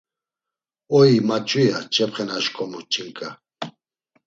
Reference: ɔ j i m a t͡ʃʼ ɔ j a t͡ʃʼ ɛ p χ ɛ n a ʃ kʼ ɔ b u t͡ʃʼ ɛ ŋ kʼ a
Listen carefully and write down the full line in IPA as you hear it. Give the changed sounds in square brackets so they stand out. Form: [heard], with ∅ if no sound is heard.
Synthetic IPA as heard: ɔ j i m a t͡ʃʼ [u] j a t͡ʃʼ ɛ p χ ɛ n a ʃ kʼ ɔ [m] u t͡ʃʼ [i] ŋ kʼ a